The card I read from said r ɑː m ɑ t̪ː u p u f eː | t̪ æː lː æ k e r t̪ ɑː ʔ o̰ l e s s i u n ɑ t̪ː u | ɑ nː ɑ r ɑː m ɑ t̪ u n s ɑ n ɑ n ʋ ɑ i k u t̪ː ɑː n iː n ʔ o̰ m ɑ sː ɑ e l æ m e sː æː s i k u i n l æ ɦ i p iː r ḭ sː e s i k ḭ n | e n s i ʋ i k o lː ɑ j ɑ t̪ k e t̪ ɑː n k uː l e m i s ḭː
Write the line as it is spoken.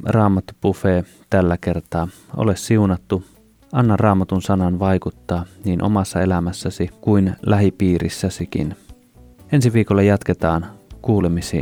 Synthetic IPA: r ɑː m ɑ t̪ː u p u f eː | t̪ æ lː æ k e r t̪ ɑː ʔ o̰ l e s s i u n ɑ t̪ː u | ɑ nː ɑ r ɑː m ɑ t̪ u n s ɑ n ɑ n ʋ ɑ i k u t̪ː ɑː n iː n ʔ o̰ m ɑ sː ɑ e l æ m æ sː æ s i k u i n l æ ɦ i p iː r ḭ sː æ s i k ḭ n | e n s i ʋ iː k o lː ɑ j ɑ t̪ k e t̪ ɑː n k uː l e m i s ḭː